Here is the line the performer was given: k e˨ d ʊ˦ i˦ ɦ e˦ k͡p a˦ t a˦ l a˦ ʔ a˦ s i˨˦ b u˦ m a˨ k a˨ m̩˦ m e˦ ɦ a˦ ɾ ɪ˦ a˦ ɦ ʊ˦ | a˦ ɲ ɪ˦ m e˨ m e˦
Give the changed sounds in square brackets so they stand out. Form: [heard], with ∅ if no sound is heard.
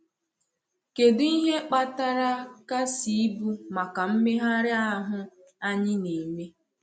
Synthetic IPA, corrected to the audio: k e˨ d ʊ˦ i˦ ɦ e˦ k͡p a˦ t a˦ [ɾ] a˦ [k] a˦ s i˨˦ b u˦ m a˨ k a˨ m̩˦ m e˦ ɦ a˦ ɾ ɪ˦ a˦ ɦ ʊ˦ | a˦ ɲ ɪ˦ [n] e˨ m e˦